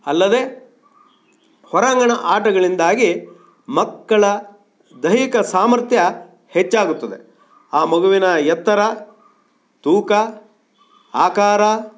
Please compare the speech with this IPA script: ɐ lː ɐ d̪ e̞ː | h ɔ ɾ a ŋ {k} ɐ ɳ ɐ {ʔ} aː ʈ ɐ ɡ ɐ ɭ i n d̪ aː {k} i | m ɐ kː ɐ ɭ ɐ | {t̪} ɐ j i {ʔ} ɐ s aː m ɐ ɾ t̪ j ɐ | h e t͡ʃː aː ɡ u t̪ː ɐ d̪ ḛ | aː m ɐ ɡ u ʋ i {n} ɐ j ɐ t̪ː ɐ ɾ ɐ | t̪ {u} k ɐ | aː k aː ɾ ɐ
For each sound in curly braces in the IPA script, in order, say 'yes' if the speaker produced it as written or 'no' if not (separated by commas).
no, yes, no, no, no, yes, no